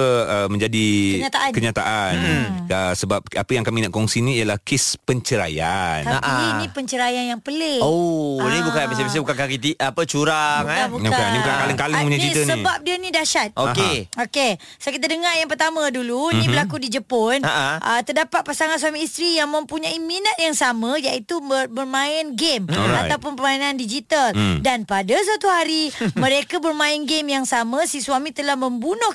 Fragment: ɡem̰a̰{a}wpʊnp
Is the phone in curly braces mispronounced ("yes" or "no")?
no